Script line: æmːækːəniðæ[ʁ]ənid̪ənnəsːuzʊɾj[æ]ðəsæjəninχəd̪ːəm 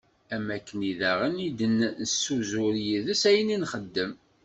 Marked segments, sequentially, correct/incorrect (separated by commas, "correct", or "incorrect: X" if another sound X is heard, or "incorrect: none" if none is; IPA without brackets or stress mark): correct, incorrect: i